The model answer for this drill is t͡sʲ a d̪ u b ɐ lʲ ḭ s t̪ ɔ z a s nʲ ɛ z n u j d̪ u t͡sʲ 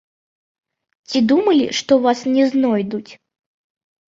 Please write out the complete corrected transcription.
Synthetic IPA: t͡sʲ i d̪ u m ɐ lʲ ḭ ʂ t̪ ɔ v a s nʲ ɛ z n ɔ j d̪ u t͡sʲ